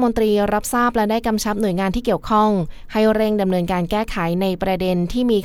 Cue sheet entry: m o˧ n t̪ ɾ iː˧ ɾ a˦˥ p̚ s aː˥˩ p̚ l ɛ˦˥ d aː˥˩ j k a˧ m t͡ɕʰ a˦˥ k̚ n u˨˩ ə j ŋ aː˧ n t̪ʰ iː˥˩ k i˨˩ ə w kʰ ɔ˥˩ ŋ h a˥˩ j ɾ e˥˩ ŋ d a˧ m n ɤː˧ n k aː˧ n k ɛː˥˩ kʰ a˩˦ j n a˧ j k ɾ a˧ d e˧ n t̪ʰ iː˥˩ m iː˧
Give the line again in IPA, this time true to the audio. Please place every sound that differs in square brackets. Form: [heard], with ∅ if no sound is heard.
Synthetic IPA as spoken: m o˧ n t̪ ɾ iː˧ ɾ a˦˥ p̚ s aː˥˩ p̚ l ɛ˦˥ d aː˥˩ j k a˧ m t͡ɕʰ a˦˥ [p̚] n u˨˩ ə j ŋ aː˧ n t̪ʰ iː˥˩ k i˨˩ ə w kʰ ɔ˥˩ ŋ h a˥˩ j ɾ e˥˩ ŋ d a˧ m n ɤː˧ n k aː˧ n k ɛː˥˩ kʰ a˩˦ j n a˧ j [p] ɾ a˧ d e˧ n t̪ʰ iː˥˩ m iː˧